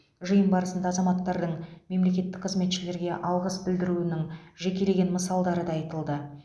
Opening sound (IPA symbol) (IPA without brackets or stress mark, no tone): ʒ